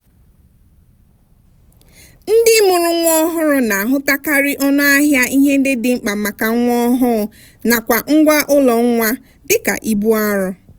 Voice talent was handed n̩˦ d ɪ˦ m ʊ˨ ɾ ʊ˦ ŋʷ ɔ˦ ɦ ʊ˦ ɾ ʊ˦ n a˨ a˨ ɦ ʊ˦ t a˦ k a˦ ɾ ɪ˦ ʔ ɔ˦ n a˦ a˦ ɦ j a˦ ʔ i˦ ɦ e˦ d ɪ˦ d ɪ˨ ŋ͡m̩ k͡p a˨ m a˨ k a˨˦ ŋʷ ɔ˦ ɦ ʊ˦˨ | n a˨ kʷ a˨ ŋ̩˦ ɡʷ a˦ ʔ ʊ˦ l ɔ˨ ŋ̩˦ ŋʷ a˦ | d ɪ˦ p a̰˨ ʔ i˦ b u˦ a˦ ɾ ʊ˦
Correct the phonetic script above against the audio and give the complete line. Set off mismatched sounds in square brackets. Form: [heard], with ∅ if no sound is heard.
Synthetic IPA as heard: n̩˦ d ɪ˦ m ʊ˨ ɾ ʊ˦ ŋʷ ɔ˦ ɦ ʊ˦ ɾ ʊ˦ n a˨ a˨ ɦ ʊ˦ t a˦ k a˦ ɾ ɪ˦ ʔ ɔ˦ n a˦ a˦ ɦ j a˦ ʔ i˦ ɦ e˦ d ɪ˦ d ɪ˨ ŋ͡m̩ k͡p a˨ m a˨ k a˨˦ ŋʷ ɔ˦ ɦ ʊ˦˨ | n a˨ kʷ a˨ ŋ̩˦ ɡʷ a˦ ʔ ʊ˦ l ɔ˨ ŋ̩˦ ŋʷ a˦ | d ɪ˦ [k] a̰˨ ʔ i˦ b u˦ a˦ ɾ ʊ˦